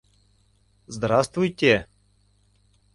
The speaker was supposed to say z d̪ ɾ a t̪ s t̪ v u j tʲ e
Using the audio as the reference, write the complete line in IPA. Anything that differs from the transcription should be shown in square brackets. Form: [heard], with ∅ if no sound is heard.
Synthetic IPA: z d̪ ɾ a [∅] s t̪ v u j tʲ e